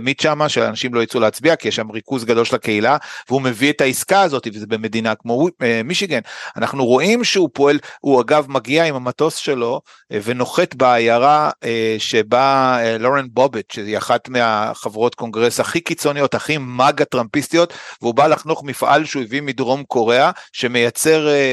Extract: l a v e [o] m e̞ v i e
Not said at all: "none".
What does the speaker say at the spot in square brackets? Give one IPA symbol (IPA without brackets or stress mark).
u